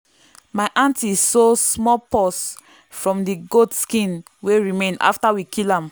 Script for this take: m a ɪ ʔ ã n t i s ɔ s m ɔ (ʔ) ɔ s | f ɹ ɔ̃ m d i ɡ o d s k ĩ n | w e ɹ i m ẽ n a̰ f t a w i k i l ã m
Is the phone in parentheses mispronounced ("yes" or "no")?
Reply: yes